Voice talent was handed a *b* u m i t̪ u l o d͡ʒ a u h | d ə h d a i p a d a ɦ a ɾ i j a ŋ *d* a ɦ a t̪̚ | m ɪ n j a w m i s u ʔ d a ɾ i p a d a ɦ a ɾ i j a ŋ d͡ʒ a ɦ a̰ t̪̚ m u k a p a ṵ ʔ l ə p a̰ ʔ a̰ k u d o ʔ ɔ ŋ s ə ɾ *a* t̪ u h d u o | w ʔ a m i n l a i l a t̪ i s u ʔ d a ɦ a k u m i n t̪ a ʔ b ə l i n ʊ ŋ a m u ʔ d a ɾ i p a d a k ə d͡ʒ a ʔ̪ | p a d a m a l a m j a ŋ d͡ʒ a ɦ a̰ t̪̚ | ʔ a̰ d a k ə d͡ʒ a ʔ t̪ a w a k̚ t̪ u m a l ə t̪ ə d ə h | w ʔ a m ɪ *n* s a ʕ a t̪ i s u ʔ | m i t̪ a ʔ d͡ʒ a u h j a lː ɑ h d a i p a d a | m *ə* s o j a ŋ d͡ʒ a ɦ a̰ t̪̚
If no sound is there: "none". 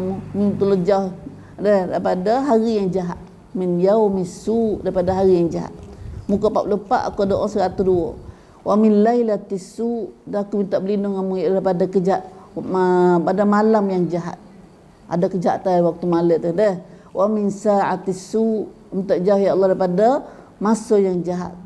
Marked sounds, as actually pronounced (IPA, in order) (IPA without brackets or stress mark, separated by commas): m, d͡ʒ, a, n, a